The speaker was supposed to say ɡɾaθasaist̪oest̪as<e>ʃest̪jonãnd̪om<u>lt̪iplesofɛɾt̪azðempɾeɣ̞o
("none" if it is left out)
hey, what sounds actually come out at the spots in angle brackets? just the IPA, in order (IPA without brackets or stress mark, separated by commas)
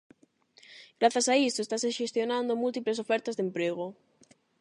e, u